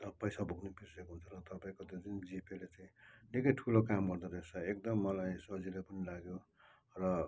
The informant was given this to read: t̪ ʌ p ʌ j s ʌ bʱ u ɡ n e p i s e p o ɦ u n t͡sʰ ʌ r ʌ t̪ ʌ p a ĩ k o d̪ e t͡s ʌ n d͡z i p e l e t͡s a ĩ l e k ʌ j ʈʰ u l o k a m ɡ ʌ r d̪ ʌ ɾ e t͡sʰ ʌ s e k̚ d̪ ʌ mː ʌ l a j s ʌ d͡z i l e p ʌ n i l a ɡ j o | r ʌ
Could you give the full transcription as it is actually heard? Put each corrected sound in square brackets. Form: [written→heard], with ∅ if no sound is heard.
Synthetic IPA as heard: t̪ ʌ p ʌ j s [ʌ→a] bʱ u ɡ n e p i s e [p→k] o ɦ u n t͡sʰ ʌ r ʌ t̪ ʌ p a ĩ k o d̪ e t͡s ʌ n d͡z i p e l e t͡s a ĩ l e k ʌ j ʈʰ u l o k a m ɡ ʌ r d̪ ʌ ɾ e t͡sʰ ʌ [s→∅] e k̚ d̪ ʌ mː ʌ l a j s ʌ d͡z i l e p ʌ n i l a ɡ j o | r ʌ